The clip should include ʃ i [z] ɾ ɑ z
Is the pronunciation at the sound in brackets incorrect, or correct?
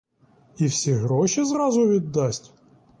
correct